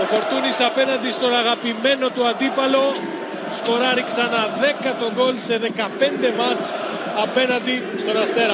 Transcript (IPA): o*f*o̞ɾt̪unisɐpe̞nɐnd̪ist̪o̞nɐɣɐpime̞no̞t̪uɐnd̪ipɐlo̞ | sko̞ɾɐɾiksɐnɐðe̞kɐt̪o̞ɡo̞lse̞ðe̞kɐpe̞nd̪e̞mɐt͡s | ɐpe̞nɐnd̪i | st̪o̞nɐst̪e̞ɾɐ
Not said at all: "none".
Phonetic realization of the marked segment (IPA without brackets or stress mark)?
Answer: f